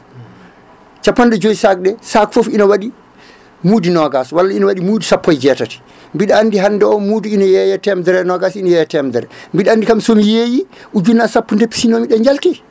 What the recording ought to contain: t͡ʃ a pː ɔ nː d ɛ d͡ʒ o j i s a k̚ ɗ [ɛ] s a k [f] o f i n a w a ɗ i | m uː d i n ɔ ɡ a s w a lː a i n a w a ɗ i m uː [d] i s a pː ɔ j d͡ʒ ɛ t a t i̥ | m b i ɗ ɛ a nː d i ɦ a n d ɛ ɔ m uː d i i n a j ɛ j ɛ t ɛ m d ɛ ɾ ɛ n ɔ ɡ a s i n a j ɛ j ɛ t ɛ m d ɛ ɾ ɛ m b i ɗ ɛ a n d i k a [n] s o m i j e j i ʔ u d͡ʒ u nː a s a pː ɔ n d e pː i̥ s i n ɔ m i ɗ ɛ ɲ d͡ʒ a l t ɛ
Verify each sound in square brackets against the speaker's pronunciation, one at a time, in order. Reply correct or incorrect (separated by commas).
correct, correct, correct, incorrect